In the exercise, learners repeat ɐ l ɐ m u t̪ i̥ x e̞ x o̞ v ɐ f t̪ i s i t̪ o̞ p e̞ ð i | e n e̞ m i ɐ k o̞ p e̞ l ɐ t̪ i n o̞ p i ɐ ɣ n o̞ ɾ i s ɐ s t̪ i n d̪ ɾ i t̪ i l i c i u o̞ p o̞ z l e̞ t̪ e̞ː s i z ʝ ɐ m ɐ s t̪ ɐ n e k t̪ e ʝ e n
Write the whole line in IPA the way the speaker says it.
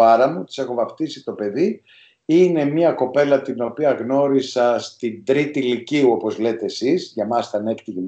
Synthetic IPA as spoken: ɐ ɾ ɐ m u t̪ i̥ s e̞ x o̞ v ɐ f t̪ i s i t̪ o̞ p e̞ ð i | i n e̞ m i ɐ k o̞ p e̞ l ɐ t̪ i n o̞ p i ɐ ɣ n o̞ ɾ i s ɐ s t̪ i n d̪ ɾ i t̪ i l i c i u o̞ p o̞ z l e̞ t̪ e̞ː s i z ʝ ɐ m ɐ s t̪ ɐ n e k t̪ i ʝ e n